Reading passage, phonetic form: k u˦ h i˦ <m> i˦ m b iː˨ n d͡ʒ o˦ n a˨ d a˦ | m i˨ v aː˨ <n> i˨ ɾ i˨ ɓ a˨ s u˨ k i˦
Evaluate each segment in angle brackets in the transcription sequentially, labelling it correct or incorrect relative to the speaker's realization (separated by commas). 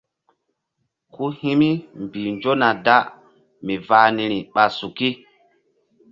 correct, correct